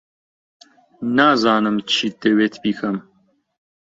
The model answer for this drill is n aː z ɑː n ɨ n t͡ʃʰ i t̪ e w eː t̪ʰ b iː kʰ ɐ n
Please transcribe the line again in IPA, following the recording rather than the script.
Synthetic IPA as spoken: n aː z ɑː n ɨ m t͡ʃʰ i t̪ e w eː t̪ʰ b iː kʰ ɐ m